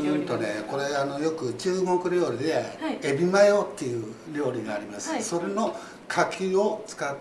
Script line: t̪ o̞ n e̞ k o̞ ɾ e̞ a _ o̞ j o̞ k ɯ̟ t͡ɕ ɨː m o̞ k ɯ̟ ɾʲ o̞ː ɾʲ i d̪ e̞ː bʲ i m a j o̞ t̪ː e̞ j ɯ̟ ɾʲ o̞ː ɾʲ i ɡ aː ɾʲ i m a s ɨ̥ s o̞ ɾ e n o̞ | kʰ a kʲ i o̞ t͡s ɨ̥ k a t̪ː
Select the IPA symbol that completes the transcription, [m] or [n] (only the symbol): n